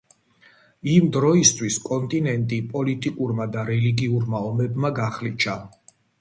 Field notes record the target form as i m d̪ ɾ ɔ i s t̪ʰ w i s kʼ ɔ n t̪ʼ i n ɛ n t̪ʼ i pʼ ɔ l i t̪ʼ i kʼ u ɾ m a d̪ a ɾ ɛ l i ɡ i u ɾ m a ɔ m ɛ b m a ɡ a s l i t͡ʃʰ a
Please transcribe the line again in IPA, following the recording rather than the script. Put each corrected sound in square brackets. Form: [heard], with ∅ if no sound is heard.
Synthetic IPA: i m d̪ ɾ ɔ i s t̪ʰ w i s kʼ ɔ n t̪ʼ i n ɛ n t̪ʼ i pʼ ɔ l i t̪ʼ i kʼ u ɾ m a d̪ a ɾ ɛ l i ɡ i u ɾ m a ɔ m ɛ b m a ɡ a [χ] l i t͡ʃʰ a